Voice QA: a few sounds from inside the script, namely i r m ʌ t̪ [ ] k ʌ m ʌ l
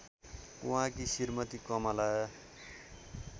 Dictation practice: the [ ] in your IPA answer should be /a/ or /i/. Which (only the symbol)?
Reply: i